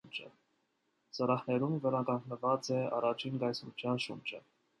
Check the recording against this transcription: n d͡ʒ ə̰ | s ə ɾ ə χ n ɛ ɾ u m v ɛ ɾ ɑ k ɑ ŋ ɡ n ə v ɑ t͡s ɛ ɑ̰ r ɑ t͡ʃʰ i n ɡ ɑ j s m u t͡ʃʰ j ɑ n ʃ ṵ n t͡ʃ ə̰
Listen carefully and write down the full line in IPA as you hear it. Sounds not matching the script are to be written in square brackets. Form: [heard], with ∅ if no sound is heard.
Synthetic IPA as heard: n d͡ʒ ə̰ | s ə ɾ [ɑ] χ n ɛ ɾ u m v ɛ ɾ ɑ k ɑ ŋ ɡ n ə v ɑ t͡s ɛ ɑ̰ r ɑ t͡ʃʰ i n ɡ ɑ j s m u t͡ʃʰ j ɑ n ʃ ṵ n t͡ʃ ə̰